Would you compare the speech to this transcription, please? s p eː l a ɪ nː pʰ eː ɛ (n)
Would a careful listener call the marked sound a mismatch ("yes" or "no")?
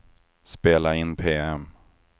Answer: yes